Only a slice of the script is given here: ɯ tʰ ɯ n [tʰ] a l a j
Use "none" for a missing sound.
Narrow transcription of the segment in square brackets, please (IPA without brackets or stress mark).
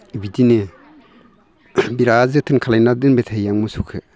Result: kʰ